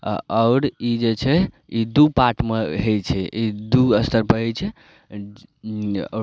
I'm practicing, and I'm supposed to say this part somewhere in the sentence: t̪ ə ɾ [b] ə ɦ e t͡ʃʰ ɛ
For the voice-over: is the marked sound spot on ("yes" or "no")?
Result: no